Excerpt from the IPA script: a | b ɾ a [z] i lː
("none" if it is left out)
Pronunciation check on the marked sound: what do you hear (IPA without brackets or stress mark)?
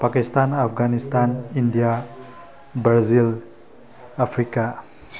z